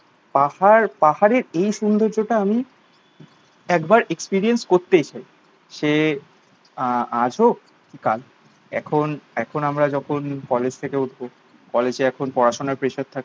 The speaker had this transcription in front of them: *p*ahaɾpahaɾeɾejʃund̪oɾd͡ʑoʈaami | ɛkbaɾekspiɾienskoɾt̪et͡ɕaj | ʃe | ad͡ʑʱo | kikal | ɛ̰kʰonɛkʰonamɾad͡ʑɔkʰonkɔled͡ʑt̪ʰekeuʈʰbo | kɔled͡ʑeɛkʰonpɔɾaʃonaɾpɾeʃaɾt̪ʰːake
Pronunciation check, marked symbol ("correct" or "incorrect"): correct